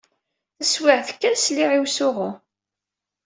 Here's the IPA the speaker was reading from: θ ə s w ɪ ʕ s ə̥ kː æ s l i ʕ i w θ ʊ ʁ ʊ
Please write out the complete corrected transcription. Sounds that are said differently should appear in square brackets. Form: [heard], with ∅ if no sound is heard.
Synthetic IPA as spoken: θ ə s w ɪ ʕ [θ] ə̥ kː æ s l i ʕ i w [s] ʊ ʁ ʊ